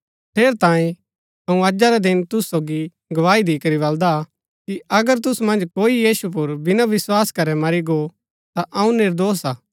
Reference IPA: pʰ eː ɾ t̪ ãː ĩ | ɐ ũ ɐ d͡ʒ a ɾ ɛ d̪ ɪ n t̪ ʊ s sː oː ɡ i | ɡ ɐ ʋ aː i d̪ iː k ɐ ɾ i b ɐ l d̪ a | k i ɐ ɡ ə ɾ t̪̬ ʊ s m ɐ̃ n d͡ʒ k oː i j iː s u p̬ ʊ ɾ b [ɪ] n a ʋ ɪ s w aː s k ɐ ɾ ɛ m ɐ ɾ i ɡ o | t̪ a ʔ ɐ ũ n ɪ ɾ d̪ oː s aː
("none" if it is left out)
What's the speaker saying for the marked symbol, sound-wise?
ɪ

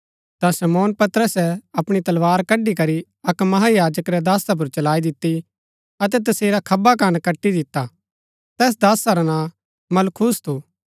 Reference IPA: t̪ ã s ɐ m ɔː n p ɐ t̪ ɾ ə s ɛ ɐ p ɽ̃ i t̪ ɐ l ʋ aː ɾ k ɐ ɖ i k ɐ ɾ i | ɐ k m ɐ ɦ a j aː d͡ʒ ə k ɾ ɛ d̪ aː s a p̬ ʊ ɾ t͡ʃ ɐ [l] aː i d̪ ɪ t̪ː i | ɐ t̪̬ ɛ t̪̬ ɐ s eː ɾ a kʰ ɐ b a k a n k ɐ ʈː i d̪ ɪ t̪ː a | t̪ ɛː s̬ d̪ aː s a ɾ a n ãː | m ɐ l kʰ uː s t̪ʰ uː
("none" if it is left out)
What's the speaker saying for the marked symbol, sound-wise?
l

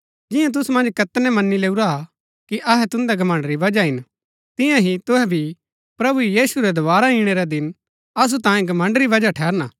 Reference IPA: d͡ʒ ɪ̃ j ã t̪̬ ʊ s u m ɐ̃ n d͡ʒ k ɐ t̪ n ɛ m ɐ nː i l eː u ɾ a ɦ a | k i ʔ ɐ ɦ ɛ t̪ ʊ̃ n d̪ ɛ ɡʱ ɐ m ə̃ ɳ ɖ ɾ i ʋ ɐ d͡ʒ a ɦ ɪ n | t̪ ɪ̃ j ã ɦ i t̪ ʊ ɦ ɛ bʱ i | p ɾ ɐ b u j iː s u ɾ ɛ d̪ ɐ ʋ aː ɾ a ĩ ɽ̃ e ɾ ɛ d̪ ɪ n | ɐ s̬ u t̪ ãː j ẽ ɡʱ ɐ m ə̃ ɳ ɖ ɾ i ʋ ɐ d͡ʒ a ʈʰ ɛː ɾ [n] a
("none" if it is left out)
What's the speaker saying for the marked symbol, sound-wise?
n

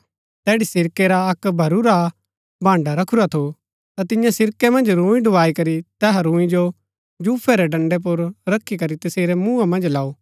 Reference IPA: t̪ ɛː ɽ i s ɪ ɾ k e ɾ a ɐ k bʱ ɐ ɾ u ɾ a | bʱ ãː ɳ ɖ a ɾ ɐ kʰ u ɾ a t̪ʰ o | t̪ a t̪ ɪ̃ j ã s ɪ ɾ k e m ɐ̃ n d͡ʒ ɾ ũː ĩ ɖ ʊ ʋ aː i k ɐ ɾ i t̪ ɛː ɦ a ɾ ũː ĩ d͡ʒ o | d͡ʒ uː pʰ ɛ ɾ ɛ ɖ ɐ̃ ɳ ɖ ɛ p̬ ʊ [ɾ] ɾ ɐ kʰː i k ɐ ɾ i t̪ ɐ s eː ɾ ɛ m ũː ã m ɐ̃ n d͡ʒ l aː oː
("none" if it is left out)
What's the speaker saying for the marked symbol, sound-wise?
ɾ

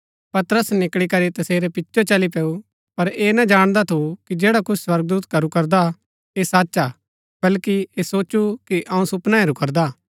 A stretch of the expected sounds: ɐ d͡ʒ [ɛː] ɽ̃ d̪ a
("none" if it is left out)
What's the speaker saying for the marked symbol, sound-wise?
aː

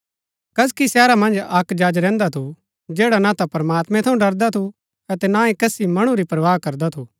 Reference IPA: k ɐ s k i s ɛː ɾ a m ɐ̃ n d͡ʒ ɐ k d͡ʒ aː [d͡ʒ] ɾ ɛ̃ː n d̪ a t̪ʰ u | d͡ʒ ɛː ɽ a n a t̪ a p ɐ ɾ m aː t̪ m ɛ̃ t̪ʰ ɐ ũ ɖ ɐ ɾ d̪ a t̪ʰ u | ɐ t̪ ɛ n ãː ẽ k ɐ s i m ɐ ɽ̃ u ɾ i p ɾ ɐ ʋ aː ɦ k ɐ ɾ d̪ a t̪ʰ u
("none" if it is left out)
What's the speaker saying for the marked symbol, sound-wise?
d͡ʒ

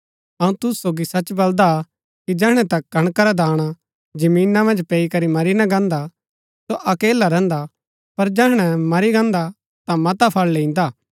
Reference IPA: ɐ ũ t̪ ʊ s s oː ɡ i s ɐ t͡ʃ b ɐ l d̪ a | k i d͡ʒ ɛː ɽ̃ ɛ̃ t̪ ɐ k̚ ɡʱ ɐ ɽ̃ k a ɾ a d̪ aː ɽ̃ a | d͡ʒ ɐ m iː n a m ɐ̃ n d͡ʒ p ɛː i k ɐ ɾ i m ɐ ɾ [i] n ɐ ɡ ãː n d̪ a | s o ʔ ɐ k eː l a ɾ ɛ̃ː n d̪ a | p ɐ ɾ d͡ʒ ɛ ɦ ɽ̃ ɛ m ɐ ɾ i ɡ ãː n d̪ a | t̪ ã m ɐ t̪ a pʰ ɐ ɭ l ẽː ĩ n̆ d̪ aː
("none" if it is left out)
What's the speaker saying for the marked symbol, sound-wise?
i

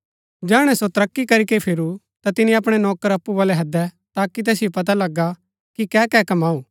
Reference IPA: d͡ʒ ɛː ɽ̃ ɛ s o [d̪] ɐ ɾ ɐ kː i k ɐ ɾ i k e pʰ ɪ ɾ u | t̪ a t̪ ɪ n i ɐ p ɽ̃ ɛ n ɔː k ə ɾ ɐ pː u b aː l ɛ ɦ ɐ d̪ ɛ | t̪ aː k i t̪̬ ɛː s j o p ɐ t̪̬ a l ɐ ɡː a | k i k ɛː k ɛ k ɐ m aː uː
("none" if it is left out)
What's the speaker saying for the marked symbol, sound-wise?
t̪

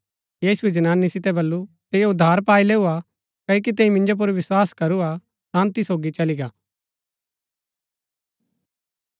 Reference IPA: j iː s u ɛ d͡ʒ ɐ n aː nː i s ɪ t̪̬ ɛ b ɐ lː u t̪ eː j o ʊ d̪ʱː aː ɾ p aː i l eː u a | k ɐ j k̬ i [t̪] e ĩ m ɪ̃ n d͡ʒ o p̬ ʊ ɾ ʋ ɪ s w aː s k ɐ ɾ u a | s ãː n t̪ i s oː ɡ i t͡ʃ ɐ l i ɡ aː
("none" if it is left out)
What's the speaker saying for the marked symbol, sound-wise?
t̪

